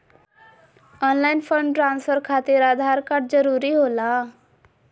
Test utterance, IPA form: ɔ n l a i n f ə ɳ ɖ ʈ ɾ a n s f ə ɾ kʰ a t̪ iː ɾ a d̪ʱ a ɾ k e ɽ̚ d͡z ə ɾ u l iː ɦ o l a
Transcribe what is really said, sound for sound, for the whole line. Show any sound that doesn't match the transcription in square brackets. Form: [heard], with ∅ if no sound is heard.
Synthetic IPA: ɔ n l a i n f ə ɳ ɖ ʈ ɾ a n s f ə ɾ kʰ a t̪ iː ɾ a d̪ʱ a ɾ k [a] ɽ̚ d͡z ə ɾ u [ɾ] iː ɦ o l a